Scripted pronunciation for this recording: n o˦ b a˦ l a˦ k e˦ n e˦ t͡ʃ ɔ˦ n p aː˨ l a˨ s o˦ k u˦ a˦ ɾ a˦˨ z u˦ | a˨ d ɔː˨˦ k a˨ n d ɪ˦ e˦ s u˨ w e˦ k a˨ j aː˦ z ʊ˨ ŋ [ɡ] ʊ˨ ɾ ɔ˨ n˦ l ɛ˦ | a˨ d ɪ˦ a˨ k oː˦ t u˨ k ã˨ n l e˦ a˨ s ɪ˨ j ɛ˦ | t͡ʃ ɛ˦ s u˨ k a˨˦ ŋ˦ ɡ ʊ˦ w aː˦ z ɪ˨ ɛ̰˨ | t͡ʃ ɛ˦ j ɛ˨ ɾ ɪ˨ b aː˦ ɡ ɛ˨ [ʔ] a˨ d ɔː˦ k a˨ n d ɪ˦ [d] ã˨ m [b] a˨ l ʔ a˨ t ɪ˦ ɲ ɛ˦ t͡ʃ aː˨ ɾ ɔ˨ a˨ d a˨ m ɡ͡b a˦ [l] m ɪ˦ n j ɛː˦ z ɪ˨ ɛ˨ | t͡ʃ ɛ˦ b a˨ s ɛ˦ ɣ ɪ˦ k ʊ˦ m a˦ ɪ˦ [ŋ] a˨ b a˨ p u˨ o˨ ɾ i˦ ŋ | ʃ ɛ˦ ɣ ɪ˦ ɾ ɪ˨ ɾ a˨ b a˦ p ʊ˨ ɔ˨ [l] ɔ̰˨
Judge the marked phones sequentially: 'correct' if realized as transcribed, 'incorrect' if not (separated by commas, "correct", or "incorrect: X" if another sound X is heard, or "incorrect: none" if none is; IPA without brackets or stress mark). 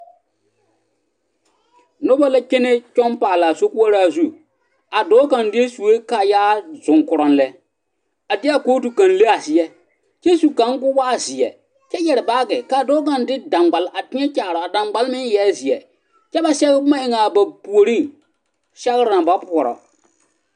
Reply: incorrect: k, incorrect: k, correct, incorrect: ɡ͡b, correct, correct, incorrect: ɾ